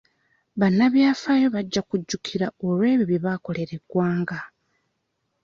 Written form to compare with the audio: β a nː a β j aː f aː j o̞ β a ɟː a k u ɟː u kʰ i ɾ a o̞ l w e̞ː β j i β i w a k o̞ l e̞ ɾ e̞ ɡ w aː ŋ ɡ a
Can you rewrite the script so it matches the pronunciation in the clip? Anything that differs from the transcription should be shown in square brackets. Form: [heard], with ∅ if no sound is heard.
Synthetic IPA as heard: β a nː a β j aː f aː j o̞ β a ɟː a k u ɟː u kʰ i ɾ a o̞ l w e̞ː β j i β i [β] a k o̞ l e̞ ɾ e̞ ɡ w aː ŋ ɡ a